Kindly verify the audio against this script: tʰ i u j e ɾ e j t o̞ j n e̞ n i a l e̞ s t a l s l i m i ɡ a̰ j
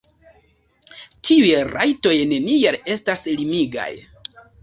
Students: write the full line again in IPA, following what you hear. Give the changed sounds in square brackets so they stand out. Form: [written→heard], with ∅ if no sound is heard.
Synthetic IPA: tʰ i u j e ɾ [e→a] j t o̞ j n e̞ n i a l e̞ s t a [l→∅] s l i m i ɡ a̰ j